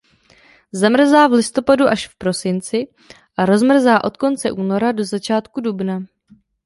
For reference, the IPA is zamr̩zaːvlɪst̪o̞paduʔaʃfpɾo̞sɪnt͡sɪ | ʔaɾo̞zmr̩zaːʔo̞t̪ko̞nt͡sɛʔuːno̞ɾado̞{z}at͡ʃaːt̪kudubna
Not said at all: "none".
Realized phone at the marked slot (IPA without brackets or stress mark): z